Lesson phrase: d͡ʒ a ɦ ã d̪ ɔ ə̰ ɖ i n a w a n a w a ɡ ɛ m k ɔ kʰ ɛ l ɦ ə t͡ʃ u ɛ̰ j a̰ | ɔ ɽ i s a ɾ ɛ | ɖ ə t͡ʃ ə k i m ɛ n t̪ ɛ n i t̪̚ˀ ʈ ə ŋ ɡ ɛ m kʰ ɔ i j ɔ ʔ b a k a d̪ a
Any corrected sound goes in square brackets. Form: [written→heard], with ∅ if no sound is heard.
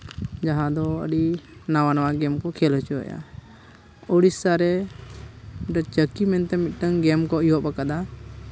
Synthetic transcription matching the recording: d͡ʒ a ɦ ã d̪ ɔ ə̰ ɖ i n a w a n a w a ɡ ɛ m k ɔ kʰ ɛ l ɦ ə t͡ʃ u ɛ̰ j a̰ | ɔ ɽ i s a ɾ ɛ | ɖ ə t͡ʃ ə k i m ɛ n t̪ ɛ [n→m] i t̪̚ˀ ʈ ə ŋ ɡ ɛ m [kʰ→k] ɔ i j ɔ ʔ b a k a d̪ a